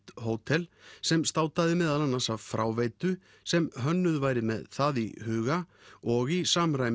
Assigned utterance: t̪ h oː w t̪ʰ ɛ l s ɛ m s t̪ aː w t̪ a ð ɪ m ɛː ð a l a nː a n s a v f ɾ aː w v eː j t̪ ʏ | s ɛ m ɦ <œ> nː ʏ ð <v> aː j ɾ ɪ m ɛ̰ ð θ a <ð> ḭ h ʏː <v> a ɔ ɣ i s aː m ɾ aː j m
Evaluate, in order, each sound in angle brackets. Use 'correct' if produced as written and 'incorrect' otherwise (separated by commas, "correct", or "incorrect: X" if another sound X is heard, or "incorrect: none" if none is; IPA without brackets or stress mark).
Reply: correct, correct, correct, incorrect: ɣ